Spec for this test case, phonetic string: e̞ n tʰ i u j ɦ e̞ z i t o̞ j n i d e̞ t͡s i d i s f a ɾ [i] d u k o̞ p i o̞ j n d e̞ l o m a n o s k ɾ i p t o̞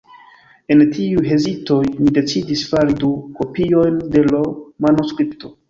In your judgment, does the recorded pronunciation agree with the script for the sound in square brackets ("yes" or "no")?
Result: yes